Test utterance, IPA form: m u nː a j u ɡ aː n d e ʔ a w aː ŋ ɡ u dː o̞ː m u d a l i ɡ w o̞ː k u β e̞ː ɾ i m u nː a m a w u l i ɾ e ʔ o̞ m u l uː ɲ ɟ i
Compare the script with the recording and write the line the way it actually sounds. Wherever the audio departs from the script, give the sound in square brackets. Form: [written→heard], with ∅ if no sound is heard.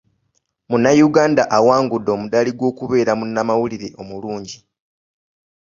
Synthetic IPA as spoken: m u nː a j u ɡ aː n d [e→a] ʔ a w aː ŋ ɡ u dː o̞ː m u d a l i ɡ w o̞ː k u β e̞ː ɾ [i→a] m u nː a m a w u l i ɾ e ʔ o̞ m u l uː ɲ ɟ i

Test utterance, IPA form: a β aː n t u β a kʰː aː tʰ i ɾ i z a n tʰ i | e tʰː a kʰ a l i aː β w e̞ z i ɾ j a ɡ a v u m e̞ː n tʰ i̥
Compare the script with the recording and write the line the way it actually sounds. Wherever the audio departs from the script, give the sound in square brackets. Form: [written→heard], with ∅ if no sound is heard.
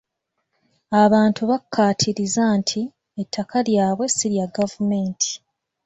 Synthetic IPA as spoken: a β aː n t u β a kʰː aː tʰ i ɾ i z a n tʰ i | e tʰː a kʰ a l [i→j] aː β w e̞ [z→s] i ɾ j a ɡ a v u m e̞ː n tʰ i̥

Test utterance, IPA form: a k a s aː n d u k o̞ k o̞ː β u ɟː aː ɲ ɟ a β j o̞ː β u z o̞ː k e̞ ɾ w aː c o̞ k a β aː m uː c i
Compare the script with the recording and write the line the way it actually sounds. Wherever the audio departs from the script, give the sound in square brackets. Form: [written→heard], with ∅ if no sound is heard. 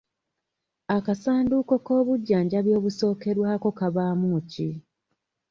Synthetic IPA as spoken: a k a s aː n d u k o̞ k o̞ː β u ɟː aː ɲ ɟ a β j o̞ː β u [z→s] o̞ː k e̞ ɾ w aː [c→k] o̞ k a β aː m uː c i

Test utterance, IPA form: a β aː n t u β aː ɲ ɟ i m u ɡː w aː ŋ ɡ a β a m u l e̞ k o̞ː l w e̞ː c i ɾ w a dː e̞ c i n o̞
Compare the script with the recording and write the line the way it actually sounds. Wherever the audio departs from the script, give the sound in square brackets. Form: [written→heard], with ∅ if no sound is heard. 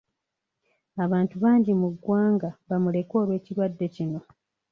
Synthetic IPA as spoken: a β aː n t u β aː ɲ ɟ i m u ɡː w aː ŋ ɡ a β a m u l e̞ k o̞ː l w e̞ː c i ɾ w a dː e̞ c i n o̞

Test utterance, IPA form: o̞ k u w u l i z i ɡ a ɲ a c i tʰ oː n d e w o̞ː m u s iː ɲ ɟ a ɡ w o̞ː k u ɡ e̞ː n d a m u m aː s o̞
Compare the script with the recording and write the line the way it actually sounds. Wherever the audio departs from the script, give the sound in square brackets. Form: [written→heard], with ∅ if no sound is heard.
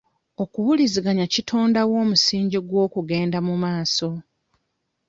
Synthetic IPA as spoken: o̞ k u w u l i z i ɡ a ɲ a c i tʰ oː n d [e→a] w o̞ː m u s iː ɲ ɟ [a→i] ɡ w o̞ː k u ɡ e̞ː n d a m u m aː s o̞

